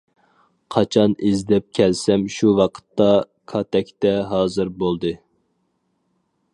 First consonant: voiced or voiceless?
voiceless